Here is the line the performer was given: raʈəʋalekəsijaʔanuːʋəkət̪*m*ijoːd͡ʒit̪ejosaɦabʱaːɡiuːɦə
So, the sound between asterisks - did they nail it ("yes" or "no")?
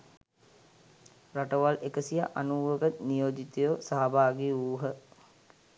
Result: no